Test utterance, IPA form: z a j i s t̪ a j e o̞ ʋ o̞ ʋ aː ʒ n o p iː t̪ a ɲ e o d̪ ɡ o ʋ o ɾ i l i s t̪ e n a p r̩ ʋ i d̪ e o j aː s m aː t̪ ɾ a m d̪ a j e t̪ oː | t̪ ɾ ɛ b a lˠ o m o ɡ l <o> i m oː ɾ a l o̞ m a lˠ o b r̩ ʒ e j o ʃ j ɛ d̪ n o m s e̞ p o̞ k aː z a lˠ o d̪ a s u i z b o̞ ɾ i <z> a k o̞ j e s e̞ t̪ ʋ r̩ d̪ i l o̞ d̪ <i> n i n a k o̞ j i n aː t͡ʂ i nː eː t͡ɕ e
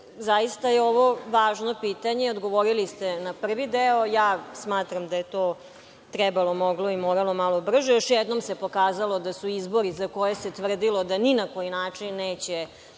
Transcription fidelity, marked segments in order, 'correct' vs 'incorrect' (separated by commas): correct, correct, incorrect